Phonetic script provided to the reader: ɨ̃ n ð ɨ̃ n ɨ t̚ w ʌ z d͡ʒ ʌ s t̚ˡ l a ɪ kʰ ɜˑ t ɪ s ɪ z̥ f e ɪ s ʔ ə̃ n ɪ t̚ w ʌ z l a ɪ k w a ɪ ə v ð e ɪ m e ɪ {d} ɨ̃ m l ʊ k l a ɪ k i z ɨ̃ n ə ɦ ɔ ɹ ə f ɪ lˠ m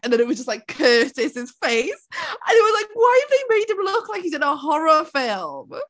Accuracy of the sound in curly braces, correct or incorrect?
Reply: correct